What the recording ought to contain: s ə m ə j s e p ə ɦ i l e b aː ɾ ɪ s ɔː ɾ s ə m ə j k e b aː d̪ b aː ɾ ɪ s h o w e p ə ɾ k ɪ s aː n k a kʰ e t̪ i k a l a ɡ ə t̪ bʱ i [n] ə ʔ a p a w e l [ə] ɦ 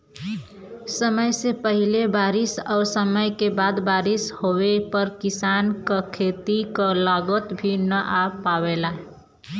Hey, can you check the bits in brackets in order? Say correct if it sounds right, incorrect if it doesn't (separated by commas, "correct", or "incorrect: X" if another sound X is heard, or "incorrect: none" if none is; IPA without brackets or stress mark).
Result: correct, incorrect: a